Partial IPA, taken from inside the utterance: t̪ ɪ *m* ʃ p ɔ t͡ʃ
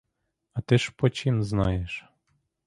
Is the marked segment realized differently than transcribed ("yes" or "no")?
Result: yes